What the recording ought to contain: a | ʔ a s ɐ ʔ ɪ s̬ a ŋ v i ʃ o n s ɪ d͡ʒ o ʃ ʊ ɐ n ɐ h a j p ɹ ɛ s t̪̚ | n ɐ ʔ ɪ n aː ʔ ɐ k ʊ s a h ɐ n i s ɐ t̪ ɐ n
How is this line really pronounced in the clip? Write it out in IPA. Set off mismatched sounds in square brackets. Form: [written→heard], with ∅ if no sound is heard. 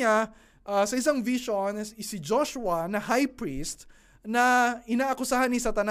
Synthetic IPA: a | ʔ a s ɐ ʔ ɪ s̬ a ŋ v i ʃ o n s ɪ d͡ʒ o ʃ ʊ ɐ n ɐ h a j p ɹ [ɛ→i] s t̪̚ | n ɐ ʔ ɪ n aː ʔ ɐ k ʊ s a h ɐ n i s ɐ t̪ ɐ n